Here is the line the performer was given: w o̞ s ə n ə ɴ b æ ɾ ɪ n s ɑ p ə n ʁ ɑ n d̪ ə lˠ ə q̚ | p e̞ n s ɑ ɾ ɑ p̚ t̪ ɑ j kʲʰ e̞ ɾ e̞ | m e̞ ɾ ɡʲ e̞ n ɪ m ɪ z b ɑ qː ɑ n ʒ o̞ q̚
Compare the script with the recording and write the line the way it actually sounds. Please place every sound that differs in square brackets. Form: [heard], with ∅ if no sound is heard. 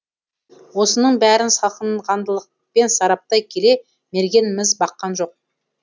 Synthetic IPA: w o̞ s ə n ə ɴ b æ ɾ ɪ n s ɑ [q] ə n ʁ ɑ n d̪ ə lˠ ə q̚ | p e̞ n s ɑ ɾ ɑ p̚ t̪ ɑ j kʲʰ e̞ [l] e̞ | m e̞ ɾ ɡʲ e̞ n ɪ m ɪ z b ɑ qː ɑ n ʒ o̞ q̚